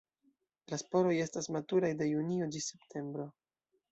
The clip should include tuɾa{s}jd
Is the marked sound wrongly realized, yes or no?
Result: yes